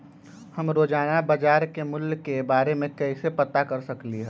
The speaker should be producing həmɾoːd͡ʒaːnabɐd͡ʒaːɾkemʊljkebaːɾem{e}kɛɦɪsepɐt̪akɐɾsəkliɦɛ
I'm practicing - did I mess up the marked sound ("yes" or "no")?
yes